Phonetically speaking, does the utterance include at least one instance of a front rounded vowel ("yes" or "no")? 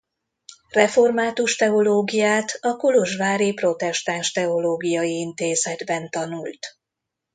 no